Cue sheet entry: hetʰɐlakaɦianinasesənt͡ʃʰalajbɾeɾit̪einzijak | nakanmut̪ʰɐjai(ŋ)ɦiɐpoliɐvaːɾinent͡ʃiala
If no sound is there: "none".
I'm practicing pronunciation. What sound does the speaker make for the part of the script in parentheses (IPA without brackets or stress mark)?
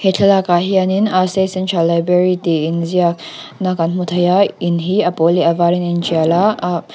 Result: n